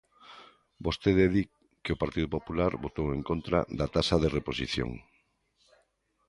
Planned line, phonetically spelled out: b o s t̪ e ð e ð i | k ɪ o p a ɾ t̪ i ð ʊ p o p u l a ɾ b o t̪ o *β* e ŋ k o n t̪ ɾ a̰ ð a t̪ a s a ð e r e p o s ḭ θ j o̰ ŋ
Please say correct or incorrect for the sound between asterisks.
incorrect